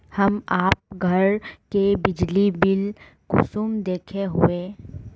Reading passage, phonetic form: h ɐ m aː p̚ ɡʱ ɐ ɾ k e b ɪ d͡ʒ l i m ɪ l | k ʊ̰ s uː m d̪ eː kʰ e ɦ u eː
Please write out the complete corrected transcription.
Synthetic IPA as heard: h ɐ m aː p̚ ɡʱ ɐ ɾ k e b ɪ d͡ʒ l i b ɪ l | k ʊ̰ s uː m d̪ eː kʰ e ɦ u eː